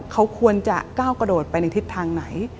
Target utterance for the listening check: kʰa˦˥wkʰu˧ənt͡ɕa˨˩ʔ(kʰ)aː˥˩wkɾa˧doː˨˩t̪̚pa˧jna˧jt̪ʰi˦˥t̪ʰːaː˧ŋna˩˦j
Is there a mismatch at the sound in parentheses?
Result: yes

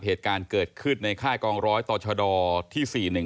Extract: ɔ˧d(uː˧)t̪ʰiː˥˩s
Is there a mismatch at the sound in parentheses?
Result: yes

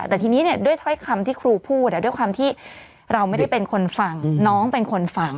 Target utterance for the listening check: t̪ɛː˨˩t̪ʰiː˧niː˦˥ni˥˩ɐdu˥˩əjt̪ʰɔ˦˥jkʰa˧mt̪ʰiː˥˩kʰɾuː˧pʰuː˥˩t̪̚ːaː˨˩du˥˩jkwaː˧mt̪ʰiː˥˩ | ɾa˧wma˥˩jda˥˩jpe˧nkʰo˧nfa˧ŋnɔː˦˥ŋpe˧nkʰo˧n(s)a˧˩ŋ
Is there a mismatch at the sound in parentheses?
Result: yes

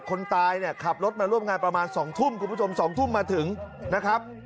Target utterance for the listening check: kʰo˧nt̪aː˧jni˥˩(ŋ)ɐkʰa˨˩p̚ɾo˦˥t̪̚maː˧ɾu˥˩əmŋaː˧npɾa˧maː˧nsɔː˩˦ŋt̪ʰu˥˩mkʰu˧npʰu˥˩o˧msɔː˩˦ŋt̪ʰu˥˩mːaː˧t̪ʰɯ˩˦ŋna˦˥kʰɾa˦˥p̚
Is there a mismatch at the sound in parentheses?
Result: yes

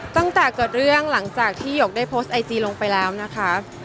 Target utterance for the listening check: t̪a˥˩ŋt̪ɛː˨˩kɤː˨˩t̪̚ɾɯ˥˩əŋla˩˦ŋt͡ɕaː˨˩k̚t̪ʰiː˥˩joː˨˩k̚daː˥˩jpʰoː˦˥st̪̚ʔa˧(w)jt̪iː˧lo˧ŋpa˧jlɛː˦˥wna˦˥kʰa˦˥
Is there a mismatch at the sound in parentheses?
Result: yes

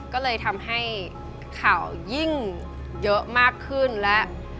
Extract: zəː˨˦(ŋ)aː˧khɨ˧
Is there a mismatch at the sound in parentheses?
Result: yes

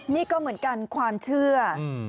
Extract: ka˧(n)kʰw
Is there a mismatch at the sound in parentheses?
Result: no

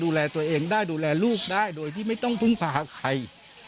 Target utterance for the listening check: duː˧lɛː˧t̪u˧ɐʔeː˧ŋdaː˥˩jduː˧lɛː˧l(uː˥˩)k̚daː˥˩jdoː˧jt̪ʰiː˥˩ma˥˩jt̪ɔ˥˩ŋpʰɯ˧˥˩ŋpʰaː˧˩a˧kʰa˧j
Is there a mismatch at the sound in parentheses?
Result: no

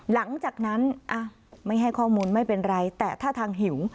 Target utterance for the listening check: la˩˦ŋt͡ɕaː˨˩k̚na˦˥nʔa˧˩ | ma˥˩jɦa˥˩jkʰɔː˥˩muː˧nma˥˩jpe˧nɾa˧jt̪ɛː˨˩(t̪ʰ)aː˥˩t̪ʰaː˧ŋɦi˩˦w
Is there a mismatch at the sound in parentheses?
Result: no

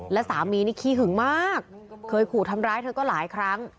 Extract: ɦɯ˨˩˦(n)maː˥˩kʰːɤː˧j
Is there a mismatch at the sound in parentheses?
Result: yes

